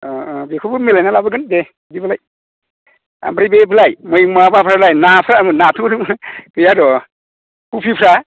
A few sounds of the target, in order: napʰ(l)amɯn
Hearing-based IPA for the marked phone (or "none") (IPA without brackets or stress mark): ɾ